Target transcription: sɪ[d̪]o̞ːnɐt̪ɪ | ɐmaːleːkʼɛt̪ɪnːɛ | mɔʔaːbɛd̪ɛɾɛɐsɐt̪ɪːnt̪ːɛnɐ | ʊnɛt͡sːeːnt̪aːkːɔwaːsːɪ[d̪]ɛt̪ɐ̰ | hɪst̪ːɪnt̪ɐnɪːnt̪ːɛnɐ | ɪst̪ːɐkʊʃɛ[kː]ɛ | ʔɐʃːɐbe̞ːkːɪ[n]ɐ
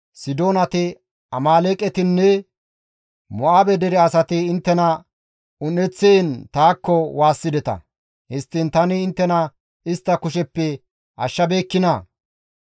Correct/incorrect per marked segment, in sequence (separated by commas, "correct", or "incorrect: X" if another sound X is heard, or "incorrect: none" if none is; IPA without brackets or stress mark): correct, correct, incorrect: pː, correct